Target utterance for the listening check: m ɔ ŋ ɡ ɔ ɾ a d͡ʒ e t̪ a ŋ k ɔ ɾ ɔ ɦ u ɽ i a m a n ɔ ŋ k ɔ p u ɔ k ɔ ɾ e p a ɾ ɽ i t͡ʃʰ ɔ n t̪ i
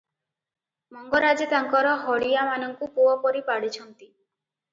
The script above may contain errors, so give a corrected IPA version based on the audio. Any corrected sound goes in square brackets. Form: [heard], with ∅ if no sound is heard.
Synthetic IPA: m ɔ ŋ ɡ ɔ ɾ a d͡ʒ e t̪ a ŋ k ɔ ɾ ɔ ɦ [ɔ] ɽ i a m a n ɔ ŋ k [u] p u ɔ [p] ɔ ɾ [i] p a [∅] ɽ i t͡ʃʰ ɔ n t̪ i